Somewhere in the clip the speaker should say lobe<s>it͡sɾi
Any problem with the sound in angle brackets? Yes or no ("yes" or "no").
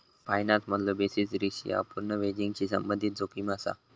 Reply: no